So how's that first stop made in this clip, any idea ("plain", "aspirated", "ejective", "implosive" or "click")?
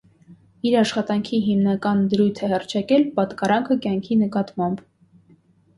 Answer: plain